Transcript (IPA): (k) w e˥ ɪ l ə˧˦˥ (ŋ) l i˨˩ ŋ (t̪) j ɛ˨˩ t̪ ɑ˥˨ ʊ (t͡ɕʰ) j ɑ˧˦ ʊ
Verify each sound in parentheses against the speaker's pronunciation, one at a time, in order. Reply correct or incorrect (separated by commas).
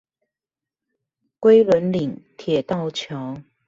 correct, incorrect, incorrect, correct